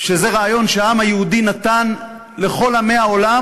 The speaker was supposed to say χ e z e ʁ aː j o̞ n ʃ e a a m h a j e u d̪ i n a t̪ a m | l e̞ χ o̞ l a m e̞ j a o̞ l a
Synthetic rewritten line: ʃ e z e ʁ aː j o̞ n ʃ e a a m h a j e u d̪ i n a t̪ a n | l e̞ χ o̞ l a m e̞ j a o̞ l a